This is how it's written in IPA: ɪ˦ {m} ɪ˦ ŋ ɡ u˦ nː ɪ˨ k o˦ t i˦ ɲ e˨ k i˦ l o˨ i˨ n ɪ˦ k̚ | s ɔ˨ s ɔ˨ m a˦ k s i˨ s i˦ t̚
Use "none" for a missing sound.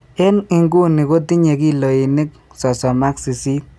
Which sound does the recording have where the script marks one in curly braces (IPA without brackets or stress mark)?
n